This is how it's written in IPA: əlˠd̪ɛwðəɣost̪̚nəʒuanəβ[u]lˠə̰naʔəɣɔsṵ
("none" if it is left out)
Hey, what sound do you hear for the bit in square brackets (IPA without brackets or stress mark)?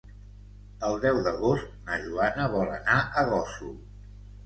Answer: ɔ